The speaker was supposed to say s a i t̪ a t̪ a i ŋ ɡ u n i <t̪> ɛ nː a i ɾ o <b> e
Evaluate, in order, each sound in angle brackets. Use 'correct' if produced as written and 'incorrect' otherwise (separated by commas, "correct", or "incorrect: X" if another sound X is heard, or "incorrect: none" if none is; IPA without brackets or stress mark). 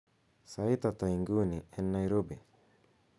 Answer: incorrect: none, correct